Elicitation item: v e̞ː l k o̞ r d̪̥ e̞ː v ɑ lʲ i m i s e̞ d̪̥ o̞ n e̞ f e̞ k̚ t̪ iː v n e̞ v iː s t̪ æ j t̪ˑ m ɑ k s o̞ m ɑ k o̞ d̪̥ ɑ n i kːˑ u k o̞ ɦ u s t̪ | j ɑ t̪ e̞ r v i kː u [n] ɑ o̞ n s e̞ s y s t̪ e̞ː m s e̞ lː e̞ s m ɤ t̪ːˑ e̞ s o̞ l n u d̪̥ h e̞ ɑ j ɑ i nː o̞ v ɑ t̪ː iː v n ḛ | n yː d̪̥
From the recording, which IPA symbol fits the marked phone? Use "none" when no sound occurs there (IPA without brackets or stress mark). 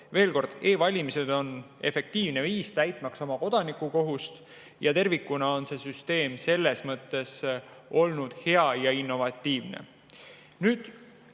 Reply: n